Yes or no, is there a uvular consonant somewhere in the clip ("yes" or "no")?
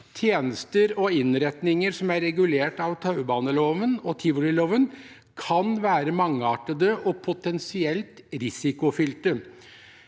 no